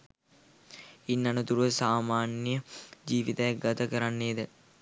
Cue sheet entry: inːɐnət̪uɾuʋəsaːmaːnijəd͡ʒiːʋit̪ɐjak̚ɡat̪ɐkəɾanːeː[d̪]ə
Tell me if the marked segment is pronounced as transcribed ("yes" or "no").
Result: yes